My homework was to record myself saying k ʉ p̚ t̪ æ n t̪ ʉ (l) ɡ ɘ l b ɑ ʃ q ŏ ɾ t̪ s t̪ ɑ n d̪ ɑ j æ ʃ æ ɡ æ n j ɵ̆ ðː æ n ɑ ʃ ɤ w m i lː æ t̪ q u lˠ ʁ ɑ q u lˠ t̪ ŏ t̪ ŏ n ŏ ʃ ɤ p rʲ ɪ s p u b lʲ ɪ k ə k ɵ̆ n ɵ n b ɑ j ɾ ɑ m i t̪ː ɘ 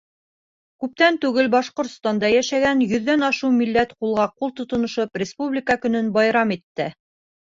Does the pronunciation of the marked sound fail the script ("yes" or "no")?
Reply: yes